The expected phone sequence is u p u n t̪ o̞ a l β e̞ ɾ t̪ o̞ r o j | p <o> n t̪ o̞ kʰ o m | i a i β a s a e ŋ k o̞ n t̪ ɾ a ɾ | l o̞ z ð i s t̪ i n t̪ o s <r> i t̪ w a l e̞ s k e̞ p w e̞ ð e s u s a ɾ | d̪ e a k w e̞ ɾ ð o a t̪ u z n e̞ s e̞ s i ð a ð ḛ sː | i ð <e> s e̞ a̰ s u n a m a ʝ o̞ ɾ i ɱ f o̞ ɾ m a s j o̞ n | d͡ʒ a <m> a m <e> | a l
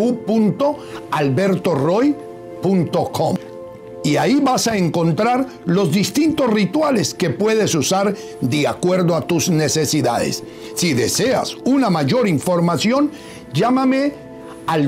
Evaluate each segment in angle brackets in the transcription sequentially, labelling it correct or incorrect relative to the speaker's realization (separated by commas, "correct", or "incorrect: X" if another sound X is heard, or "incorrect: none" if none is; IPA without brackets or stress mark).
incorrect: u, correct, correct, correct, correct